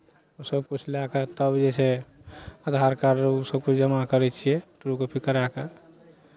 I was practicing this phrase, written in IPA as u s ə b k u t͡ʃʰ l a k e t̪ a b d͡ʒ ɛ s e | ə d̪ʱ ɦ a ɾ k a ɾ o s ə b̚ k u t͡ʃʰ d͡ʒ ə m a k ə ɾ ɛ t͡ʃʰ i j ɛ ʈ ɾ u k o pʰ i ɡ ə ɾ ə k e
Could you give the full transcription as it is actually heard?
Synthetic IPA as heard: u s ə b k u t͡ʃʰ l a k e t̪ ə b d͡ʒ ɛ s e | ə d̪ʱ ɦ a ɾ k a ɾ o s ə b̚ k u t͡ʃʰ d͡ʒ ə m a k ə ɾ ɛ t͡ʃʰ i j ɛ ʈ ɾ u k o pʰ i k ə ɾ a k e

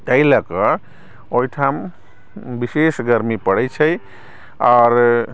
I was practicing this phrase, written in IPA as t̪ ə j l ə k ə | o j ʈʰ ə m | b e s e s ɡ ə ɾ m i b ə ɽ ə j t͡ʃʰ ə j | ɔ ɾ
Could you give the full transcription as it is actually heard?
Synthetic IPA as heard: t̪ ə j l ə k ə | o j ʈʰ a m | b i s e s ɡ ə ɾ m i p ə ɽ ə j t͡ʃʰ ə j | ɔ ɾ

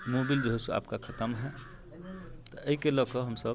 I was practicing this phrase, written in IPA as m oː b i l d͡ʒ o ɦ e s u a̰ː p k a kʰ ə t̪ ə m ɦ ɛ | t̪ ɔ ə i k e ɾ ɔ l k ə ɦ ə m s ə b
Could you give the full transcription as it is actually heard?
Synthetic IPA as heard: m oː b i l d͡ʒ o ɦ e s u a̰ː p k a kʰ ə t̪ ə m ɦ ɛ | t̪ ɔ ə i k e l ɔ k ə ɦ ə m s ə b

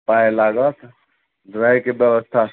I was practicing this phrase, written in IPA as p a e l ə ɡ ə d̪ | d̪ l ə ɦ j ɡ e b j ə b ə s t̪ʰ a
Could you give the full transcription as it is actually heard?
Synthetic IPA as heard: p a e l a ɡ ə t̪ | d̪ ɾ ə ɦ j k e b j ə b ə s t̪ʰ a

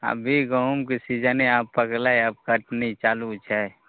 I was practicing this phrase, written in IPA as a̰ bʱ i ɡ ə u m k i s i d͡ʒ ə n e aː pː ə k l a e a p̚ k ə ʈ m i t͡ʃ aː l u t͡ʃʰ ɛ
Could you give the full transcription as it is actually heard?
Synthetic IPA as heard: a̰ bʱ i ɡ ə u m k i s i d͡ʒ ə n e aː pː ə k l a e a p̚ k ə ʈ n i t͡ʃ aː l u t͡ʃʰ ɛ

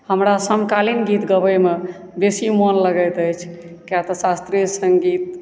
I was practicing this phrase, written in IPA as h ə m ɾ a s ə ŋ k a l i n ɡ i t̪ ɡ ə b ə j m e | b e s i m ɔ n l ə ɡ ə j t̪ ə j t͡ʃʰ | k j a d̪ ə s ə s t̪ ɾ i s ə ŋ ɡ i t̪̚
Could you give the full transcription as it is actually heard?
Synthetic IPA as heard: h ə m ɾ a s ə m k a l i n ɡ i t̪ ɡ ə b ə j m e | b e s i m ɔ n l ə ɡ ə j t̪ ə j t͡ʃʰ | k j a t̪ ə s a s t̪ ɾ i s ə ŋ ɡ i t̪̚

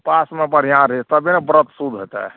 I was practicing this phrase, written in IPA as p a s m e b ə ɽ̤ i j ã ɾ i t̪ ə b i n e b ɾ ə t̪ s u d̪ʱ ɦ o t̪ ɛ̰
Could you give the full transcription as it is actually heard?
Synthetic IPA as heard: p a s m e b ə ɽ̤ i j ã ɾ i t̪ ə b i n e b ɾ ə t̪ s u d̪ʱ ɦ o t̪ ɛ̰

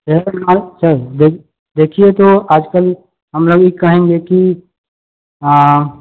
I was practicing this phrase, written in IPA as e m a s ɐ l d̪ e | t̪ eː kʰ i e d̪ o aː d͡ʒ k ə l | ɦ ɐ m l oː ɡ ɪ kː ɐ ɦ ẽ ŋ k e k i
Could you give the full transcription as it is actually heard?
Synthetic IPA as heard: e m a s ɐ ɾ d̪ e | d̪ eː kʰ i e t̪ o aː d͡ʒ k ə l | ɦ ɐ m l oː ɡ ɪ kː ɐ ɦ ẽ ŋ ɡ e k i

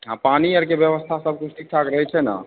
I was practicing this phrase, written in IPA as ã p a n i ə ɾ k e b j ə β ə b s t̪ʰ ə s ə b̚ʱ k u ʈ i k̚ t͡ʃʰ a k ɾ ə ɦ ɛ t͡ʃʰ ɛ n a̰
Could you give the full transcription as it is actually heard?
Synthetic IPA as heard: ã p a n i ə ɾ k e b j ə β ə s t̪ʰ a s ə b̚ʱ k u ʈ i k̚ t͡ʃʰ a k ɾ ə ɦ ɛ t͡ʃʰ ɛ n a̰

